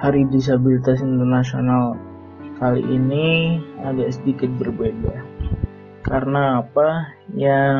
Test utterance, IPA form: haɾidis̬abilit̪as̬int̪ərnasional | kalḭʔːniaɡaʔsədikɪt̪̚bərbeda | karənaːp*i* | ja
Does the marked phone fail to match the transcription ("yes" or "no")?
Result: yes